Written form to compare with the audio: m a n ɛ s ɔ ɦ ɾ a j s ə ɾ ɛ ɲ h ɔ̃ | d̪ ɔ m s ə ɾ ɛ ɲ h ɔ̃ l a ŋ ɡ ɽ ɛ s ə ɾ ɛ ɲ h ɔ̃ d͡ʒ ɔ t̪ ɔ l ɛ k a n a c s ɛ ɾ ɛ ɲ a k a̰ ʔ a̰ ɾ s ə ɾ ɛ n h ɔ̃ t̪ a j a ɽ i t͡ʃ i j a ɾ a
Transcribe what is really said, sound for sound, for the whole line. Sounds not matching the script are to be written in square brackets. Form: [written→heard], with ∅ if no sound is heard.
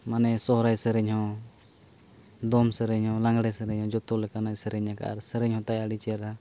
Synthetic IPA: m a n ɛ s ɔ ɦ ɾ a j s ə ɾ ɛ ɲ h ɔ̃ | d̪ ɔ m s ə ɾ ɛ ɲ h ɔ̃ l a ŋ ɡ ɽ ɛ s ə ɾ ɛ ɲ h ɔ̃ d͡ʒ ɔ t̪ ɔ l ɛ k a n a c s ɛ ɾ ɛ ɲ a k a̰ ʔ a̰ ɾ s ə ɾ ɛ [n→ɲ] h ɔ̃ t̪ a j a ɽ i t͡ʃ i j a ɾ a